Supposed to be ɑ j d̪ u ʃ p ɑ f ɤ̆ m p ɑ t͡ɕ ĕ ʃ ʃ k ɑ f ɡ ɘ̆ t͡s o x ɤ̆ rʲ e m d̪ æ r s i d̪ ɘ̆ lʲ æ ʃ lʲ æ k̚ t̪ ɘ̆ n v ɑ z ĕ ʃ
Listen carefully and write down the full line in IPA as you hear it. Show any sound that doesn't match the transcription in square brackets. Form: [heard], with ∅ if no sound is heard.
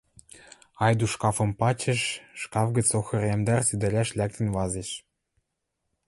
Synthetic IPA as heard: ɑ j d̪ u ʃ [k] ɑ f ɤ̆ m p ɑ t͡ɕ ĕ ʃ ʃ k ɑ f ɡ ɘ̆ t͡s o x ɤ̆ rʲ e m d̪ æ r s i d̪ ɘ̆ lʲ æ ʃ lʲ æ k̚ t̪ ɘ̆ n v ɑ z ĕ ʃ